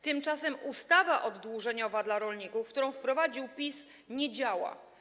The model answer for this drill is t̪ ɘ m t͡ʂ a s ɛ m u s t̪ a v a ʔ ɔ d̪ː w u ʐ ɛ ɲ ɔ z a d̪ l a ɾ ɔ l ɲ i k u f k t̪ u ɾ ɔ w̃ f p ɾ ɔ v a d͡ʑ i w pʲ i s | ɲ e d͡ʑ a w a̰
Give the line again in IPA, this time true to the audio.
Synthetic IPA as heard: t̪ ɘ m t͡ʂ a s ɛ m u s t̪ a v a ʔ ɔ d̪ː w u ʐ ɛ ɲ ɔ v a d̪ l a ɾ ɔ l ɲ i k u f k t̪ u ɾ ɔ̃ w̃ f p ɾ ɔ v a d͡ʑ i w pʲ i s | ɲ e d͡ʑ a w a̰